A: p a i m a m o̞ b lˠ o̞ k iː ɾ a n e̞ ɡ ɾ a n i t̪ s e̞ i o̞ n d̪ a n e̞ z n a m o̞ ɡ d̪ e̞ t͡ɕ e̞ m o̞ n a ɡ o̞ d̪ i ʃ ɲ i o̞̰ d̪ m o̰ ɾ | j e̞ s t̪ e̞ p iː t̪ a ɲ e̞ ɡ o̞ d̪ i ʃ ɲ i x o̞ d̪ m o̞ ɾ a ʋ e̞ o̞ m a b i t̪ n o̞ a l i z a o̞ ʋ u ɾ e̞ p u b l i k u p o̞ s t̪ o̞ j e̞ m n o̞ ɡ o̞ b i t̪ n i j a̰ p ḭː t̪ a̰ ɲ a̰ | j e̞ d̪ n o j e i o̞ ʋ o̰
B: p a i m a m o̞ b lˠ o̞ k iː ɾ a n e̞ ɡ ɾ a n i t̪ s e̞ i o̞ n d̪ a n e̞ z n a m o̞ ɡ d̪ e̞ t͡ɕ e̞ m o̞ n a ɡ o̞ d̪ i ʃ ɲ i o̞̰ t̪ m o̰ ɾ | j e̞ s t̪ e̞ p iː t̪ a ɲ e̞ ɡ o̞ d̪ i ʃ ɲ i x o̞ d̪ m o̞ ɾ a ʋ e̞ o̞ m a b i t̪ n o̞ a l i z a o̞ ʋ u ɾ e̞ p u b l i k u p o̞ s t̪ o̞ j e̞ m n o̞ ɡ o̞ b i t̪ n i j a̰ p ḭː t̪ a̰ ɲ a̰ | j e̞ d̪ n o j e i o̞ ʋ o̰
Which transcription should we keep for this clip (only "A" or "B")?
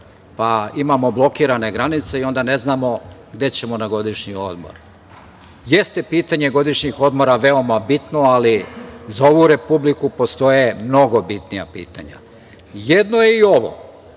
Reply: A